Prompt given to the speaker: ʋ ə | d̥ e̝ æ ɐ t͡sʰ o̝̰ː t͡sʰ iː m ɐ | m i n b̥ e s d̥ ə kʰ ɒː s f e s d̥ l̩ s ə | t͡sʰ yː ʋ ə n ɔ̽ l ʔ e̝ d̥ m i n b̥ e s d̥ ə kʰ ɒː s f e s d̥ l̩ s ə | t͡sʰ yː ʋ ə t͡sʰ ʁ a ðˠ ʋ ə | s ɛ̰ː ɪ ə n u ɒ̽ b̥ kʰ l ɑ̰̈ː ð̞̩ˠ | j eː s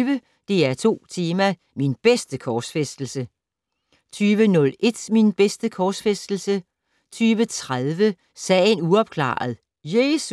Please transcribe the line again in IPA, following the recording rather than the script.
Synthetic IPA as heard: ʋ ə | d̥ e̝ æ ɐ t͡sʰ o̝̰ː t͡sʰ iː m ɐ | m i n b̥ e s d̥ ə kʰ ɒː s f e s d̥ l̩ s ə | t͡sʰ yː ʋ ə n ɔ̽ l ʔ e̝ d̥ m i n b̥ e s d̥ ə kʰ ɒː s f e s d̥ l̩ s ə | t͡sʰ yː ʋ ə t͡sʰ ʁ a ðˠ ʋ ə | s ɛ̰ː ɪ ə n u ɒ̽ b̥ kʰ l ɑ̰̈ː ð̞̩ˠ | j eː s